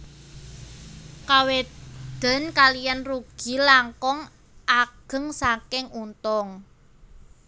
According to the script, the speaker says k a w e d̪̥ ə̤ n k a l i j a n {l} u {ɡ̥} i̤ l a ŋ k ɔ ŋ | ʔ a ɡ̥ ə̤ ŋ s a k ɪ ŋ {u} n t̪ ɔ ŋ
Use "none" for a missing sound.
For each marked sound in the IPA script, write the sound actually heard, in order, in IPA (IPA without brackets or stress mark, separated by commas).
r, ɡ̥, u